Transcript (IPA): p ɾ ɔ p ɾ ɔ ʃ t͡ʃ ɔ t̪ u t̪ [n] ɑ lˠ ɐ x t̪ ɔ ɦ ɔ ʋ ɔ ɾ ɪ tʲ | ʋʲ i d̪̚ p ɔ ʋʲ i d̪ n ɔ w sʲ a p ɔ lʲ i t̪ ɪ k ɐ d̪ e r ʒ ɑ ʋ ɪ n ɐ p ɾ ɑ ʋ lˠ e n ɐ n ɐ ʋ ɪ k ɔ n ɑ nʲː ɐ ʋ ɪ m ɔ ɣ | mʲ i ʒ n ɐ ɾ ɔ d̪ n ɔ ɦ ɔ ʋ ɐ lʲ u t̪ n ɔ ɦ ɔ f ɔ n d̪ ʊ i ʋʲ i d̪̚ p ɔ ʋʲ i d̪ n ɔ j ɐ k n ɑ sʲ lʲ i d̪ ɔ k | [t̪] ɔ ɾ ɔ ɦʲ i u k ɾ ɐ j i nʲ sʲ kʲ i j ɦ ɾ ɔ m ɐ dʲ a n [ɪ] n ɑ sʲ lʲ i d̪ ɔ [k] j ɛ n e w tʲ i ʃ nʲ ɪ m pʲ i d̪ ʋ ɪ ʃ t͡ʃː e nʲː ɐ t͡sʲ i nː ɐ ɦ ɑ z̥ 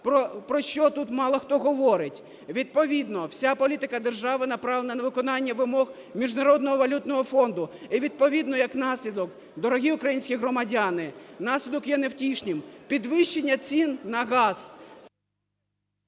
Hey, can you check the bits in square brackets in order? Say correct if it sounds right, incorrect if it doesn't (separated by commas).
incorrect, incorrect, correct, correct